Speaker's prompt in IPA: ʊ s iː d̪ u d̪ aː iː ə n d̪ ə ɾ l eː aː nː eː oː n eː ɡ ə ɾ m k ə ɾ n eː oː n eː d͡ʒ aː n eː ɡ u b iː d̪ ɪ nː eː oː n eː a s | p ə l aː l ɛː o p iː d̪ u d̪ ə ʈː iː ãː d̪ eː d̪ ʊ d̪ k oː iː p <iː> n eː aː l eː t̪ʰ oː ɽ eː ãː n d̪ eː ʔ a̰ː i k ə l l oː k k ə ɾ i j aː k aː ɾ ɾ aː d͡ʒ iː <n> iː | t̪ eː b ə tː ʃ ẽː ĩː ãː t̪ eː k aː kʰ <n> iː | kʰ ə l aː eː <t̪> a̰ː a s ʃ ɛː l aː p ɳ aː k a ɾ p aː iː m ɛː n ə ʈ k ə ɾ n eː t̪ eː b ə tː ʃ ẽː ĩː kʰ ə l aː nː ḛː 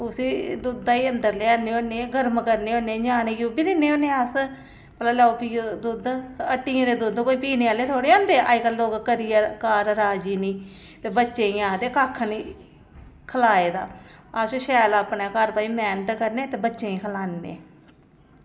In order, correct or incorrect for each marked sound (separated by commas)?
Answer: correct, correct, correct, incorrect